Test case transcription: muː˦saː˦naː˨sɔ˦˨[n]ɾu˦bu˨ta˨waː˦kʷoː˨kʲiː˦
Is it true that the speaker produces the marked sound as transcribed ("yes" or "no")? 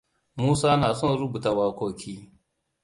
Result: yes